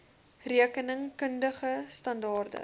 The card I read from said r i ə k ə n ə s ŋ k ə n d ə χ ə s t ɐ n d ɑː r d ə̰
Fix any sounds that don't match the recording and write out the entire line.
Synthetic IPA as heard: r i ə k ə n ə ŋ k ə n d ə χ ə s t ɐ n d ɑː r d ə̰